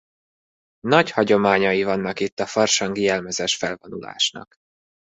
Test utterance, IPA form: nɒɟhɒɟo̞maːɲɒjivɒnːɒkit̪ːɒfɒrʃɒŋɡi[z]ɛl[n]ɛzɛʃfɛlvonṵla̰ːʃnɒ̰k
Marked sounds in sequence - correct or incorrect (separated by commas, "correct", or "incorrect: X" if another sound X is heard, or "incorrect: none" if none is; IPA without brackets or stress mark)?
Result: incorrect: none, incorrect: m